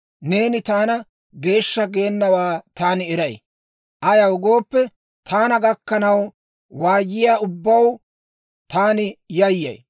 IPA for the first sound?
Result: n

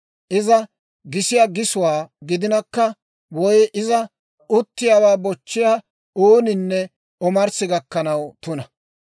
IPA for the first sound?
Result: ʔ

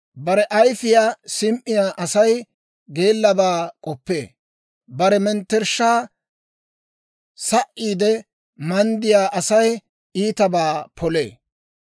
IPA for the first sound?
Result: b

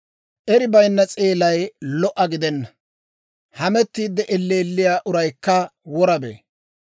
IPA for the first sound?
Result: ʔ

